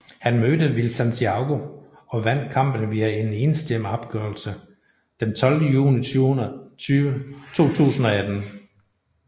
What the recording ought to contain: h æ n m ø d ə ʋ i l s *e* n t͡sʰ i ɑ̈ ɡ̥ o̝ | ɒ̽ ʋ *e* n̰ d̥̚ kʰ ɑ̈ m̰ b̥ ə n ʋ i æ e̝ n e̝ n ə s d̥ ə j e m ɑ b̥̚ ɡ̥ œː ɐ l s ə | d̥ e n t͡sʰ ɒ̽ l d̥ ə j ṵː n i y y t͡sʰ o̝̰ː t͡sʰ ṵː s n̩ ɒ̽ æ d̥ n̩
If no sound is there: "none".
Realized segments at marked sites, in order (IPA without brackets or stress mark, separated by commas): æ, æ